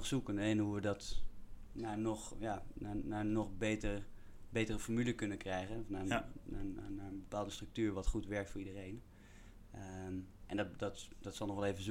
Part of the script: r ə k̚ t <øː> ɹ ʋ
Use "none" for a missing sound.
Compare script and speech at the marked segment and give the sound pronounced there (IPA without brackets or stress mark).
yː